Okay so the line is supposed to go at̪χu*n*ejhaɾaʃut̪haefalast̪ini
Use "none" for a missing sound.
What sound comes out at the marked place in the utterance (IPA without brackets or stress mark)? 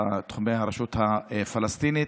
m